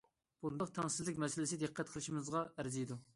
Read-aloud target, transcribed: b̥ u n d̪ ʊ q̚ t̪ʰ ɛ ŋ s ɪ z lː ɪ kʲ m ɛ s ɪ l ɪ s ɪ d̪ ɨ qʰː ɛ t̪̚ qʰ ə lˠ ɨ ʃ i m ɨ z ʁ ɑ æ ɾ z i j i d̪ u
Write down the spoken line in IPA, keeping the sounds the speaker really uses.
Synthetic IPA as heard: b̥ u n d̪ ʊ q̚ t̪ʰ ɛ ŋ s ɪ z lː ɪ kʲ m ɛ s ɪ l ɪ s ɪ d̪ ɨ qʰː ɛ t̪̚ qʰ ə lˠ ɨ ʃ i m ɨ z ʁ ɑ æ ɾ z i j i d̪ u